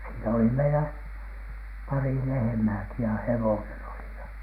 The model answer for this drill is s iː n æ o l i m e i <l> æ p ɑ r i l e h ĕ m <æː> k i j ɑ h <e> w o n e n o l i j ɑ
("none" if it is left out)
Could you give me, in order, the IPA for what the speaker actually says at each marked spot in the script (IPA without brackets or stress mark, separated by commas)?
l, æː, e